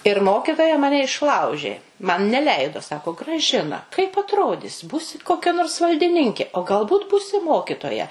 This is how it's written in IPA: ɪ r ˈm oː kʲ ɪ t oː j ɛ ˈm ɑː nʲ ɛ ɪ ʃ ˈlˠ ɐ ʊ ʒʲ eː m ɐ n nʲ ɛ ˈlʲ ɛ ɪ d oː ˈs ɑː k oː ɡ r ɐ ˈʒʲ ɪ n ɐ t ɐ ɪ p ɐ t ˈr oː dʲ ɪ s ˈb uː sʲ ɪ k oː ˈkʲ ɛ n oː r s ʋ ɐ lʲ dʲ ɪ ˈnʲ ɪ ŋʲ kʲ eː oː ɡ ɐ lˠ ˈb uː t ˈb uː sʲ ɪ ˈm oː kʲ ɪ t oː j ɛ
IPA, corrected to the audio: ɪ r ˈm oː kʲ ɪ t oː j ɛ ˈm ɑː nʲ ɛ ɪ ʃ ˈlˠ ɐ ʊ ʒʲ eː m ɐ n nʲ ɛ ˈlʲ ɛ ɪ d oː ˈs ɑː k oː ɡ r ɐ ˈʒʲ ɪ n ɐ k ɐ ɪ p ɐ t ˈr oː dʲ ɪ s ˈb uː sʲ ɪ k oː ˈkʲ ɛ n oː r s ʋ ɐ lʲ dʲ ɪ ˈnʲ ɪ ŋʲ kʲ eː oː ɡ ɐ lˠ ˈb uː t ˈb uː sʲ ɪ ˈm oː kʲ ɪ t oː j ɛ